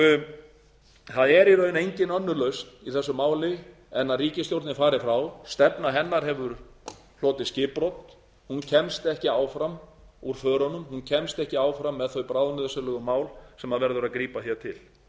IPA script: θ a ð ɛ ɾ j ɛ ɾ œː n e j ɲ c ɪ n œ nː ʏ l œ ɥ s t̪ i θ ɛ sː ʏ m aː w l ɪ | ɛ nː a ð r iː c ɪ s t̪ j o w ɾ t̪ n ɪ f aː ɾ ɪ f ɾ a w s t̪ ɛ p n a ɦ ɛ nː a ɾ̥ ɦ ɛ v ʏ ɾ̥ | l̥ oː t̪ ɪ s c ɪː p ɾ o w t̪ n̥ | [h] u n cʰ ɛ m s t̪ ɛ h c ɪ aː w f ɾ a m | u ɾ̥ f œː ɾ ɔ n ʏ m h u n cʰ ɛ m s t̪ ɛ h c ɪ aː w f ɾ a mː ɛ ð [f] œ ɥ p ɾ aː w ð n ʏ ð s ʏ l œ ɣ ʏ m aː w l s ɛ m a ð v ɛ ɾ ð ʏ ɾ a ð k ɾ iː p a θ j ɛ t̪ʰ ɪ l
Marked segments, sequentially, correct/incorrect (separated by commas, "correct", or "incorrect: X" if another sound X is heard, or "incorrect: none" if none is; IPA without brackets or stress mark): correct, incorrect: θ